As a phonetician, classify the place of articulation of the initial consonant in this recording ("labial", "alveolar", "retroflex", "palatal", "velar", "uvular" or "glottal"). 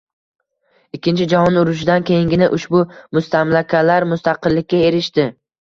velar